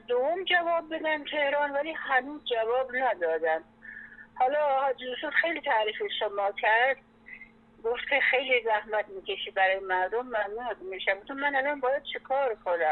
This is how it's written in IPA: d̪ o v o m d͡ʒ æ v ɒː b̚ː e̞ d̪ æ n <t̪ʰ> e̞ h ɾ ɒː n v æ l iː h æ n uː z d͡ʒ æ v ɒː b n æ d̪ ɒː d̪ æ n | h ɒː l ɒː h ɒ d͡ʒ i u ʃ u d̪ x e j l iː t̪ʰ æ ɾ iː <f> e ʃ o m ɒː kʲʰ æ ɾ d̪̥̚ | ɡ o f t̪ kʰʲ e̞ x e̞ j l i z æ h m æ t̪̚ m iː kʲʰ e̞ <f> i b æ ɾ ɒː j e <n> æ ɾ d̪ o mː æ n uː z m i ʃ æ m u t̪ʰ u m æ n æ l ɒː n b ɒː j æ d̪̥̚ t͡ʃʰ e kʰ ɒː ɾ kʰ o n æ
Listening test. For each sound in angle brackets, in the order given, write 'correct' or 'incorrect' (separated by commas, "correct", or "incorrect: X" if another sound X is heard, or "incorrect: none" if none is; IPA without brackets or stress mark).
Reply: correct, correct, incorrect: ʃ, incorrect: m